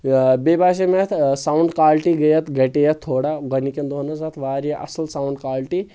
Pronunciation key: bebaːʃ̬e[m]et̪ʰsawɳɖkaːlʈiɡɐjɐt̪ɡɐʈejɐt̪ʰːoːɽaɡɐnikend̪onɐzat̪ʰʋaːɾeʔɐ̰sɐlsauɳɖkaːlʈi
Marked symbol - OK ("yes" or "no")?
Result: yes